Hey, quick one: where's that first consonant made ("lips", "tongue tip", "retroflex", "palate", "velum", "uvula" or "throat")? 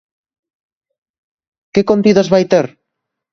velum